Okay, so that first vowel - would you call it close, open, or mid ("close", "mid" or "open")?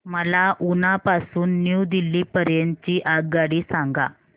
mid